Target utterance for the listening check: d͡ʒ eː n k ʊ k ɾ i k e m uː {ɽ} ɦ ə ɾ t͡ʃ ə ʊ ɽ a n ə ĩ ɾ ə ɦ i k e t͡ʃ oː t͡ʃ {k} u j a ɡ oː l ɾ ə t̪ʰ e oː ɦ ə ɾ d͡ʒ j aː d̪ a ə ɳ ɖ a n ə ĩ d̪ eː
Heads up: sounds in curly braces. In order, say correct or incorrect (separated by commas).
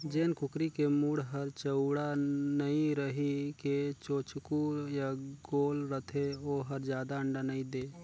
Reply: correct, correct